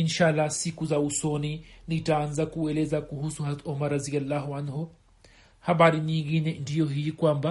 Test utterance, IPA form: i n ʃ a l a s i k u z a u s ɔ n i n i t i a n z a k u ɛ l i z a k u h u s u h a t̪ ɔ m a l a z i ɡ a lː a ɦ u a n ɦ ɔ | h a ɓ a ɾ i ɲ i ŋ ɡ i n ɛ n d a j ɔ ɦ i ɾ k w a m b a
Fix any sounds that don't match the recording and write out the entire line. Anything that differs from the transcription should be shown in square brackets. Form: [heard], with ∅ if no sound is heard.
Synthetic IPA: i n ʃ a l a s i k u z a u s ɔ n i n i t [a] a n z a k u ɛ l [ɛ] z a k u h u s u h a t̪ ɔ m a [ɾ] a z i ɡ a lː a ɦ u a n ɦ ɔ | h a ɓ a ɾ i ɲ i ŋ ɡ i n ɛ n d [i] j ɔ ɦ i [∅] k w a m b a